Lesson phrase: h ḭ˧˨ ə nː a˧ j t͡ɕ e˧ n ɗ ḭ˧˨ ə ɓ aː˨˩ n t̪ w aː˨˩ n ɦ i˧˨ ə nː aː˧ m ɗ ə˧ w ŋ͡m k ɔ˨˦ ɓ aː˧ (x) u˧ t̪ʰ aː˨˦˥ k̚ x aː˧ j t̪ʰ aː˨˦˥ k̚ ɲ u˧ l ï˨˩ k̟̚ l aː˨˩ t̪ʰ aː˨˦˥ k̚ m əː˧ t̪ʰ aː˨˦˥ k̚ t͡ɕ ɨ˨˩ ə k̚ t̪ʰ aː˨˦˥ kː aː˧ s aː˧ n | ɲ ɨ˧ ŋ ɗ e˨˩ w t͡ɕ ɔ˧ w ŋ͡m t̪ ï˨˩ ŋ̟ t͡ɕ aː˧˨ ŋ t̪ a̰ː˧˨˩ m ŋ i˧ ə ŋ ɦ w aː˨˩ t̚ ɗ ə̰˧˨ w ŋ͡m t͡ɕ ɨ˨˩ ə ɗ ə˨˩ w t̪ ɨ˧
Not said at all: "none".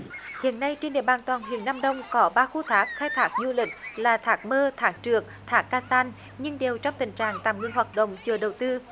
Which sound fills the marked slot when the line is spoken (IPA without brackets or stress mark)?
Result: x